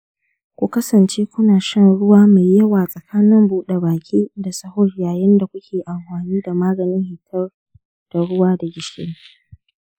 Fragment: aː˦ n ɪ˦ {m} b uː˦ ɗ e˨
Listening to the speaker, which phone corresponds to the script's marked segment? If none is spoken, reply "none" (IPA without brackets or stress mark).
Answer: m